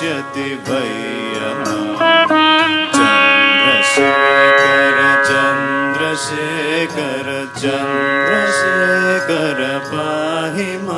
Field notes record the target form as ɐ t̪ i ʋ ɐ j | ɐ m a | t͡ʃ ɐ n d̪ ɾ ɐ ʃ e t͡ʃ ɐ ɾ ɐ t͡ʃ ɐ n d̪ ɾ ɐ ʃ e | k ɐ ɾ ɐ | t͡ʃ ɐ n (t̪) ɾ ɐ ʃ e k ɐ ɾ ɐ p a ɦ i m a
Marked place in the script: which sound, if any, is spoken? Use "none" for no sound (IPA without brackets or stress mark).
d̪